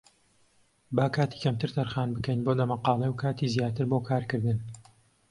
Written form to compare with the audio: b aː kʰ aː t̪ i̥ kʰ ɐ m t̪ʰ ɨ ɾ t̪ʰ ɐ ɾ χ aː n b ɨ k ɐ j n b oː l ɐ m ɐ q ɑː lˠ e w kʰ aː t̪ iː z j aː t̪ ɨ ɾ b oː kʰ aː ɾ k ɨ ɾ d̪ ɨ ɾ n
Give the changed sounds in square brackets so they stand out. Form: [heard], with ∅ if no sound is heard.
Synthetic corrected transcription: b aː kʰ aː t̪ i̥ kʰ ɐ m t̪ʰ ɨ ɾ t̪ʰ ɐ ɾ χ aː n b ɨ k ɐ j n b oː l ɐ m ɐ q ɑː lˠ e w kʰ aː t̪ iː z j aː t̪ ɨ ɾ b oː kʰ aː ɾ k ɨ ɾ d̪ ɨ [∅] n